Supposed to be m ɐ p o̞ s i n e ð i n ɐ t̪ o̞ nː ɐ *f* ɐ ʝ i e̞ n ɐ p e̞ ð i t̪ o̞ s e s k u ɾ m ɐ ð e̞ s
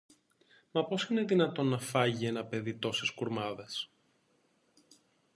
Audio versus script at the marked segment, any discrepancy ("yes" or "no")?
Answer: no